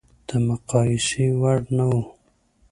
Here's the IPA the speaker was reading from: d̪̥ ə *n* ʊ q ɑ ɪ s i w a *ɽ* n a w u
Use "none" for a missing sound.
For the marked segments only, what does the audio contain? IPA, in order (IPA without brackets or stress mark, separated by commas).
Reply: m, ɽ